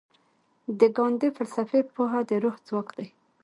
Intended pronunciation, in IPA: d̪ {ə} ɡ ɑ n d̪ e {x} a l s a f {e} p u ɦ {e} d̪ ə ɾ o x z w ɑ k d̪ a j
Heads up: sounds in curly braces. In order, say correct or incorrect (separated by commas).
correct, incorrect, correct, incorrect